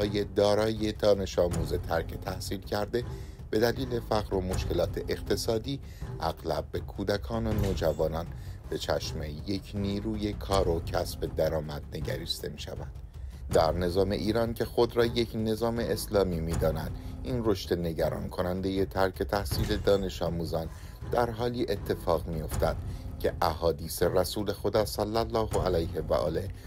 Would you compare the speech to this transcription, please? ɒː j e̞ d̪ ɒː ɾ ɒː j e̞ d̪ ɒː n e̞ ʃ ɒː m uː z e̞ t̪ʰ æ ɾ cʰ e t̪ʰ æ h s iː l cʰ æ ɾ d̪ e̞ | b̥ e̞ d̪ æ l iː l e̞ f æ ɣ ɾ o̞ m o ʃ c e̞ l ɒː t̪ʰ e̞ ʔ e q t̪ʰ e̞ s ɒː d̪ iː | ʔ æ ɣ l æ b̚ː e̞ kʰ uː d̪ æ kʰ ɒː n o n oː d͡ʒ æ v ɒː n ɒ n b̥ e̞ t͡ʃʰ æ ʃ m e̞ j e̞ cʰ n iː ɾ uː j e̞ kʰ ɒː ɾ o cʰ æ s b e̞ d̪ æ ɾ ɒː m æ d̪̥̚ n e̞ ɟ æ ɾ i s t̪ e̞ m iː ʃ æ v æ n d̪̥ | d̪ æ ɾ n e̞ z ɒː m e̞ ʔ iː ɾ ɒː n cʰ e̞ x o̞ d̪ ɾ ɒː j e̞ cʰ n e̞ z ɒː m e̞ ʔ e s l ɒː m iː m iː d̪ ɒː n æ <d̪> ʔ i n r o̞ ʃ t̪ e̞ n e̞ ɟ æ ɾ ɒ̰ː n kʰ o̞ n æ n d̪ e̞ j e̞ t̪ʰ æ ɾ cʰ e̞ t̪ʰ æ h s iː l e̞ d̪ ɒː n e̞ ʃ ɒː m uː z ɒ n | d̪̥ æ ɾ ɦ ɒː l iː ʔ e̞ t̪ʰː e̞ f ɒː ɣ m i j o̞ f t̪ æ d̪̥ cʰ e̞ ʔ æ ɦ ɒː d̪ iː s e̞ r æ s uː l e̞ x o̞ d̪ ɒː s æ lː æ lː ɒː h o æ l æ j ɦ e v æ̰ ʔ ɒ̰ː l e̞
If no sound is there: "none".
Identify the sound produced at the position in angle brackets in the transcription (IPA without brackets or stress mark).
d̪